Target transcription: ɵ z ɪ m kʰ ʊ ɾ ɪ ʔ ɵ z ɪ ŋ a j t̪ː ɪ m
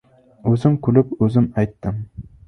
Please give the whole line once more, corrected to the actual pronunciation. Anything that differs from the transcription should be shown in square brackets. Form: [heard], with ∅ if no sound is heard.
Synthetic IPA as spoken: ɵ z ɪ m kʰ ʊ [l] ɪ [p] ɵ z ɪ [m] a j t̪ː ɪ m